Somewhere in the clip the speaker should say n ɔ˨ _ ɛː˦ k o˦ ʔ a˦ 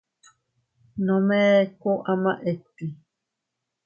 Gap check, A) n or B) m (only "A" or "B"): B